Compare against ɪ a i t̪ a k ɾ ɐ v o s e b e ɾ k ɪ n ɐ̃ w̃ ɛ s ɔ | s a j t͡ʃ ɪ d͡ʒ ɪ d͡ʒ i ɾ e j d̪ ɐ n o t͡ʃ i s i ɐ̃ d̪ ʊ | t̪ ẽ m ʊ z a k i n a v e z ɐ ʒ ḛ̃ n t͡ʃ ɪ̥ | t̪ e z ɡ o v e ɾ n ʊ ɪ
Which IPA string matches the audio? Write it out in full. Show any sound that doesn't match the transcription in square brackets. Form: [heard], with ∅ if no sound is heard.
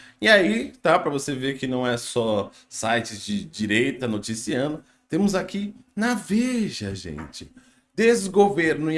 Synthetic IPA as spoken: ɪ a i t̪ a [p] ɾ ɐ v o s e [v] e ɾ k ɪ n ɐ̃ w̃ ɛ s ɔ | s a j t͡ʃ ɪ d͡ʒ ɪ d͡ʒ i ɾ e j [t̪] ɐ n o t͡ʃ i s i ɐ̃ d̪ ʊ | t̪ ẽ m ʊ z a k i n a v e [ʒ] ɐ ʒ ḛ̃ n t͡ʃ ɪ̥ | [d̪] e z ɡ o v e ɾ n ʊ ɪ